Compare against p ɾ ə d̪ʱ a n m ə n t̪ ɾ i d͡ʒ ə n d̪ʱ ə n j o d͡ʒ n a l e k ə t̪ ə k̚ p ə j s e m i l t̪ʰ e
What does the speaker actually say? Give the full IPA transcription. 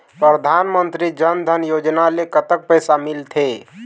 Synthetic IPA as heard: p ɾ ə d̪ʱ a n m ə n t̪ ɾ i d͡ʒ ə n d̪ʱ ə n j o d͡ʒ n a l e k ə t̪ ə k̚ p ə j s a m i l t̪ʰ e